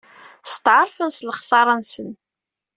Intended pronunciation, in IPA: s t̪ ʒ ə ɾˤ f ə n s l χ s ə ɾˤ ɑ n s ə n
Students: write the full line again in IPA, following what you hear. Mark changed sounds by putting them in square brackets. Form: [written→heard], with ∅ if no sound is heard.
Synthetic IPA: s t̪ [ʒ→ʕ] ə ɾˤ f ə n s l χ s [ə→ɑ] ɾˤ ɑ n s ə n